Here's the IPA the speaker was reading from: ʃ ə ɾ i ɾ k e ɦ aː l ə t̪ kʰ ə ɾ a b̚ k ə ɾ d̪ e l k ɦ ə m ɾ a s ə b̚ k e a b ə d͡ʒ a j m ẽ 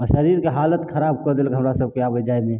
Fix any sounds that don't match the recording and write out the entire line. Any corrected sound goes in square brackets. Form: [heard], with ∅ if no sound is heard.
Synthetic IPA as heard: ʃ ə ɾ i ɾ k e ɦ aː l ə t̪ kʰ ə ɾ a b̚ k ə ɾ d̪ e l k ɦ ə m ɾ a s ə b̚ k e a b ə d͡ʒ a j m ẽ